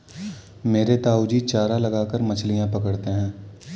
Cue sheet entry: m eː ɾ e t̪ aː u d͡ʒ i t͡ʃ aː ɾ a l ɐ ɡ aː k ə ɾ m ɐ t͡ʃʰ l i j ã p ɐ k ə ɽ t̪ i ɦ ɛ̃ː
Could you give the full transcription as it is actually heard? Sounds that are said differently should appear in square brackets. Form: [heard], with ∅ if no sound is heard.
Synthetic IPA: m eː ɾ e t̪ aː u d͡ʒ i t͡ʃ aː ɾ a l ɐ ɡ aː k ə ɾ m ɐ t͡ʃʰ l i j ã p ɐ k ə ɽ t̪ [e] ɦ ɛ̃ː

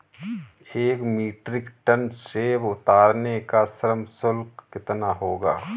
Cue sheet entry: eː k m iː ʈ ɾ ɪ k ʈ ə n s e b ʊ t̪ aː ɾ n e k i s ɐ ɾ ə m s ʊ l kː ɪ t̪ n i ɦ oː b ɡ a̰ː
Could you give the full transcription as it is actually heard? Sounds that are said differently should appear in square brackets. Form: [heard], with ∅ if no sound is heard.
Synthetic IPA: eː k m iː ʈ ɾ ɪ k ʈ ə n s e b ʊ t̪ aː ɾ n e k [a] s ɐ ɾ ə m s ʊ l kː ɪ t̪ n [a] ɦ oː [∅] ɡ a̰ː

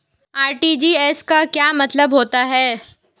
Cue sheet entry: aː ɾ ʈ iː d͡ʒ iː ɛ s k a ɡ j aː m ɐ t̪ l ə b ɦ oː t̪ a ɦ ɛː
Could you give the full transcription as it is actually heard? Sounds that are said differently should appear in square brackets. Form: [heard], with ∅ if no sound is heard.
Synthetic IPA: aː ɾ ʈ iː d͡ʒ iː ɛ s k a [k] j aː m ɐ t̪ l ə b ɦ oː t̪ a ɦ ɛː

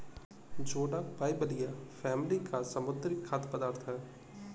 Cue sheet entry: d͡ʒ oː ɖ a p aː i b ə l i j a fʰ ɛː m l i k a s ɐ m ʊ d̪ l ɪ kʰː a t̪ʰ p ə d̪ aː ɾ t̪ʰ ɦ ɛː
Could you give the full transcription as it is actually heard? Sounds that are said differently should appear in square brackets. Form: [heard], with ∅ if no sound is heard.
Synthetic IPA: d͡ʒ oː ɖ a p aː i b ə l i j a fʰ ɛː m l i k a s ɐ m ʊ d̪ [ɾ] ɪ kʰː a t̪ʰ p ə d̪ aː ɾ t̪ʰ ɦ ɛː

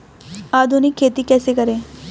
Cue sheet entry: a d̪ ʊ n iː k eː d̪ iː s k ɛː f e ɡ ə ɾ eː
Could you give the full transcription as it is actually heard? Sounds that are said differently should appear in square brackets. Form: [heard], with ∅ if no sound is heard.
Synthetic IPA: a d̪ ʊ n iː [kʰ] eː [t̪] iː [∅] k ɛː [s] e [k] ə ɾ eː

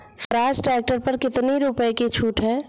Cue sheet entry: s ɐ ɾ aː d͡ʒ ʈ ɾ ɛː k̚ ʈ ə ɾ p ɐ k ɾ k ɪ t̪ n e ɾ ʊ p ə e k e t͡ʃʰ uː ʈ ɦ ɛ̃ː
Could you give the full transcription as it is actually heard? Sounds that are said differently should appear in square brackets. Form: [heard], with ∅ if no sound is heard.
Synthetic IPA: s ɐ ɾ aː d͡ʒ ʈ ɾ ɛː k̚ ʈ ə ɾ p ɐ [∅] ɾ k ɪ t̪ n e ɾ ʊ p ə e k e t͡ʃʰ uː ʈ ɦ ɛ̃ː

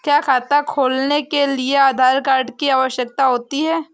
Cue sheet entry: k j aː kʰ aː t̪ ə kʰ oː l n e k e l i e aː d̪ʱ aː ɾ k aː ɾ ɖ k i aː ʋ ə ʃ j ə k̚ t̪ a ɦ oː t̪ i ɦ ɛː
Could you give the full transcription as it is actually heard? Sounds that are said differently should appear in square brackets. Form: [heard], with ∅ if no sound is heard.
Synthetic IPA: k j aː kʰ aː t̪ [a] kʰ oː l n e k e l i e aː d̪ʱ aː ɾ k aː ɾ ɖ k i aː ʋ ə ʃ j ə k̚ t̪ a ɦ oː t̪ i ɦ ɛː

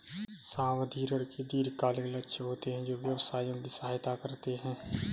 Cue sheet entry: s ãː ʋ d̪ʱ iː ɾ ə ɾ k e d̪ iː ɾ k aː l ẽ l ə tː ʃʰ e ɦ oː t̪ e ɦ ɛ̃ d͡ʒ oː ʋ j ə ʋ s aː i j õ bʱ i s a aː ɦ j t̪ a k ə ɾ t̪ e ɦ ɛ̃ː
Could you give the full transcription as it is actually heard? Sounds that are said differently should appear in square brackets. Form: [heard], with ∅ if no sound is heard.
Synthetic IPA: s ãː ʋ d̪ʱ iː ɾ ə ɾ k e d̪ iː ɾ k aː l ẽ l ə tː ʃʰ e ɦ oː t̪ e ɦ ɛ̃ d͡ʒ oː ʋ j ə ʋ s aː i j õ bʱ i s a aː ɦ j t̪ a k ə ɾ t̪ e ɦ ɛ̃ː

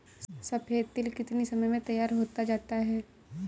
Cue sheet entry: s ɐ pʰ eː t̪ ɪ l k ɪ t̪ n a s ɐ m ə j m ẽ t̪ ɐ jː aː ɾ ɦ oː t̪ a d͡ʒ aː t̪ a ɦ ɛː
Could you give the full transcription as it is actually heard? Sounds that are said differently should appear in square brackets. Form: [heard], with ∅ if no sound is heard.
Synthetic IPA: s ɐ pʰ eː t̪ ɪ l k ɪ t̪ n [i] s ɐ m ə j m ẽ t̪ ɐ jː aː ɾ ɦ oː t̪ a d͡ʒ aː t̪ a ɦ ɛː

